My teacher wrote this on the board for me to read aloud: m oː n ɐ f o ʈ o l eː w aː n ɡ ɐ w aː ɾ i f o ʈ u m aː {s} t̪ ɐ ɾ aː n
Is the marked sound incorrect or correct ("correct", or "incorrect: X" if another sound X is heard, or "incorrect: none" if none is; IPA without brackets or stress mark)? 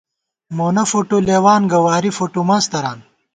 correct